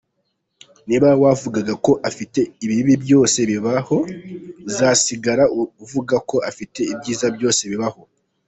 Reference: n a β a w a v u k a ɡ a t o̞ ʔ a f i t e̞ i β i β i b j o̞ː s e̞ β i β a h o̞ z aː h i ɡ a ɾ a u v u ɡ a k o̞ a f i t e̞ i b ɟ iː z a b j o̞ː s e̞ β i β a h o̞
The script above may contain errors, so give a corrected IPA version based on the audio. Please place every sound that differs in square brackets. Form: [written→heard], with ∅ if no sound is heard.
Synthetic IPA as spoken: n [a→i] β a w a v u [k→ɡ] a ɡ a [t→k] o̞ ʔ a f i t e̞ i β i β i b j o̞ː s e̞ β i β a h o̞ z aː [h→s] i ɡ a ɾ a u v u ɡ a k o̞ a f i t e̞ i b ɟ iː z a b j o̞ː s e̞ β i β a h o̞